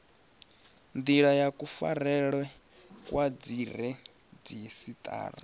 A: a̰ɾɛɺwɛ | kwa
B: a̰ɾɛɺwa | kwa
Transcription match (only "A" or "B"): A